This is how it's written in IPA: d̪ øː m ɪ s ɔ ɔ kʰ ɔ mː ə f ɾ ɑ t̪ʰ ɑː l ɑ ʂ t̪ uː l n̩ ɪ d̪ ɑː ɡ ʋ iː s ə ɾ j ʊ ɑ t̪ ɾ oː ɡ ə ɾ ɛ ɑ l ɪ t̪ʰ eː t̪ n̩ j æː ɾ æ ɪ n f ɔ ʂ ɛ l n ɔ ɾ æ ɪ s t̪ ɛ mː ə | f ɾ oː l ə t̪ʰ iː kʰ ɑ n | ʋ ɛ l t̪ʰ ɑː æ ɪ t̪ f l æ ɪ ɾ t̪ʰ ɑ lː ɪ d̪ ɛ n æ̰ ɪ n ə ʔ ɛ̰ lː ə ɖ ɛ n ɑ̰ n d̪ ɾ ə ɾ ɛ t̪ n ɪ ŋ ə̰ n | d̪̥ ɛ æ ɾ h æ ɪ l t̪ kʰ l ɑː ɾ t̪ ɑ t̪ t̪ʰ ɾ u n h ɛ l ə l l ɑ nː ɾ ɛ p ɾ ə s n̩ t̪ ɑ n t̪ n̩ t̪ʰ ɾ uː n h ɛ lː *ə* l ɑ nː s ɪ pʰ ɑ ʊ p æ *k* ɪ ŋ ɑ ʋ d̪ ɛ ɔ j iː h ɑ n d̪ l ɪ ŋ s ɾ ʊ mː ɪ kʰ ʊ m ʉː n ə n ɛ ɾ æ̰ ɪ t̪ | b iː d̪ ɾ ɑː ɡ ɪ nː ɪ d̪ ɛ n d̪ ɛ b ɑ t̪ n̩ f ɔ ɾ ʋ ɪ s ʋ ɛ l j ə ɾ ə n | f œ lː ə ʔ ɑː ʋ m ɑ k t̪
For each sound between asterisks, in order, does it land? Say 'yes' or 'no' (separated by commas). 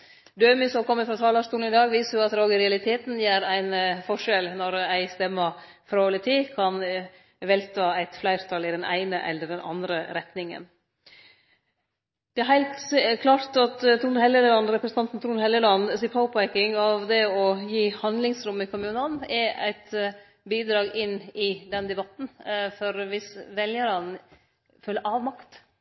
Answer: yes, yes